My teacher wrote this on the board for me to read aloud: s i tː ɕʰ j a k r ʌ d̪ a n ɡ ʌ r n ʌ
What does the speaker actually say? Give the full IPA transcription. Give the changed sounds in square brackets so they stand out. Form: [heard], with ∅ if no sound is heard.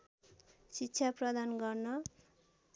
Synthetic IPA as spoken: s i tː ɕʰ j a [p] r ʌ d̪ a n ɡ ʌ r n ʌ